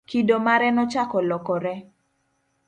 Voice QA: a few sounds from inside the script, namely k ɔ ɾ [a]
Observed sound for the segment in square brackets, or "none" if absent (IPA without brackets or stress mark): ɛ